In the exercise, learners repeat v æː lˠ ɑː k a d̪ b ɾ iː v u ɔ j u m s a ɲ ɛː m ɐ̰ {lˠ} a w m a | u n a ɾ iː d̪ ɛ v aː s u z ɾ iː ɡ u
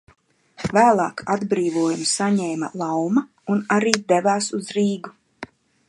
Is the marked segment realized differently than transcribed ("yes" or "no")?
no